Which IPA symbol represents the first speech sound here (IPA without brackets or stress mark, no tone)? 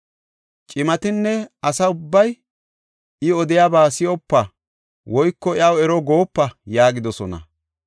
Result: t͡ʃʼ